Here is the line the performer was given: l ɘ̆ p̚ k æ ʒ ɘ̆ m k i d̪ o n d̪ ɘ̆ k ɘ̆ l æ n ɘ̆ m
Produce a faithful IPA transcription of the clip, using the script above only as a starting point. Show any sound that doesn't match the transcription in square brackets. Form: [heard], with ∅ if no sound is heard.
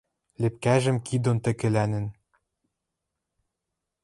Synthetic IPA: l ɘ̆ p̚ k æ ʒ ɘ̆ m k i d̪ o n [t̪] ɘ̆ k ɘ̆ l æ n ɘ̆ [n]